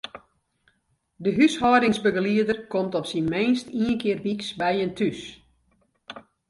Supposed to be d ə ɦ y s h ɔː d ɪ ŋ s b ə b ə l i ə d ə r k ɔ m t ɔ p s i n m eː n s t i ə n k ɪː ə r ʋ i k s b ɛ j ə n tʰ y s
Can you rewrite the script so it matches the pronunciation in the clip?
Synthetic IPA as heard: d ə ɦ y s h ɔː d ɪ ŋ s b ə ɡ ə l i ə d ə r k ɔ m t ɔ p s i n m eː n s t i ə n k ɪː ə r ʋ i k s b ɛ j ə n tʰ y s